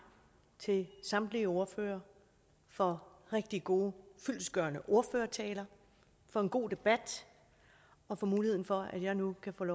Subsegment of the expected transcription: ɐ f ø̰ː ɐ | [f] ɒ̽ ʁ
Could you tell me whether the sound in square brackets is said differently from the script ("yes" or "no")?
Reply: no